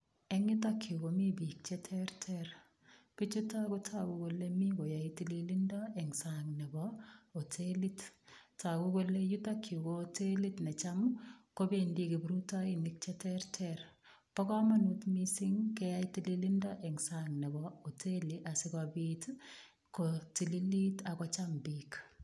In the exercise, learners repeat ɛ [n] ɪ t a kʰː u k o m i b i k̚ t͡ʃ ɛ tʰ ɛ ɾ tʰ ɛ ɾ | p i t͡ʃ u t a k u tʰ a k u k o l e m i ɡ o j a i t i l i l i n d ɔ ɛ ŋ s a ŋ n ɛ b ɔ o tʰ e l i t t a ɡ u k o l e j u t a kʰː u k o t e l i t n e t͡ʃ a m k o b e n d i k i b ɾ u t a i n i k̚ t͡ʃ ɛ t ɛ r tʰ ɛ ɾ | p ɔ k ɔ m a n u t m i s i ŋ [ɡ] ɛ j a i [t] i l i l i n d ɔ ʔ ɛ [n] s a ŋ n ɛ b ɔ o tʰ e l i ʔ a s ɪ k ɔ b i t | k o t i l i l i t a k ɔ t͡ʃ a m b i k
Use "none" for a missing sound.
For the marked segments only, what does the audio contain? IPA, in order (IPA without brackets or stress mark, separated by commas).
ŋ, k, t, ŋ